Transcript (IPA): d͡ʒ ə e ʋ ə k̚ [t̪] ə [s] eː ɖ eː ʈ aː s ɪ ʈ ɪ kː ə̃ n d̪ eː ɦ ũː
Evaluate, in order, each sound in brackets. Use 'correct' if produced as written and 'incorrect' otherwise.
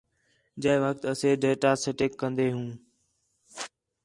correct, correct

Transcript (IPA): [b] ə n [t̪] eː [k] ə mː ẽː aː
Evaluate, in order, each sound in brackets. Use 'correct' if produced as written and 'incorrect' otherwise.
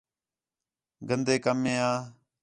incorrect: ɡ, incorrect: d̪, correct

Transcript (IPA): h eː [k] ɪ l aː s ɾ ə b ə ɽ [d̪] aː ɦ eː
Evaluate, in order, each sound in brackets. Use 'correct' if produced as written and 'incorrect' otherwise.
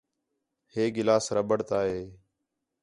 incorrect: ɡ, incorrect: t̪

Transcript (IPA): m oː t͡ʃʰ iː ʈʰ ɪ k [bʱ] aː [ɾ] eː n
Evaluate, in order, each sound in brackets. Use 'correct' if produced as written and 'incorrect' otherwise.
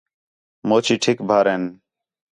correct, correct

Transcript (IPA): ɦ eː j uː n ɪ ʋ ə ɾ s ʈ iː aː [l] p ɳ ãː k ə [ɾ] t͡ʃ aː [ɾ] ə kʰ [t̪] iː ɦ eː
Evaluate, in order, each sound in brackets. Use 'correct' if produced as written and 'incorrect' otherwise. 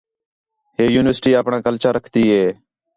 incorrect: none, incorrect: l, correct, correct

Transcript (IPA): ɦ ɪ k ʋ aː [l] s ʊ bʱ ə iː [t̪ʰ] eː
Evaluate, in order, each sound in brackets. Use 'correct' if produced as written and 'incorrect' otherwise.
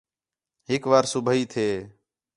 incorrect: ɾ, correct

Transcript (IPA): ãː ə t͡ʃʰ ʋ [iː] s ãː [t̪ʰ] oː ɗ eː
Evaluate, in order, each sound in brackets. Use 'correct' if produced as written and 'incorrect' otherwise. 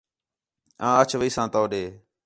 correct, incorrect: t̪

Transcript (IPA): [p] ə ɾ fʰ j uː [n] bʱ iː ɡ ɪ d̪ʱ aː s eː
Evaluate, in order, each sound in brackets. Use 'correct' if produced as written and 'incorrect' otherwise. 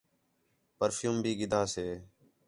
correct, incorrect: m

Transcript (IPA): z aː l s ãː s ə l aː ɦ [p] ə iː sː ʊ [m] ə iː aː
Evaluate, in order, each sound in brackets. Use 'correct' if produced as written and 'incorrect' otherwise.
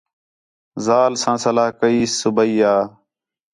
incorrect: k, incorrect: b

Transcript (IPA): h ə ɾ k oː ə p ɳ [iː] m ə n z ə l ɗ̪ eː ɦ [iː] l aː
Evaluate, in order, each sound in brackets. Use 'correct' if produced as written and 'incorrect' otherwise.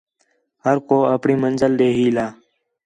correct, correct

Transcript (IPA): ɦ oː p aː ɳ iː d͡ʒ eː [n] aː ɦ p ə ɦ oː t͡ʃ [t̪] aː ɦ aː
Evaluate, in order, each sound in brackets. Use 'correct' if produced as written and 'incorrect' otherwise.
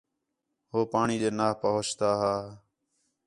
correct, correct

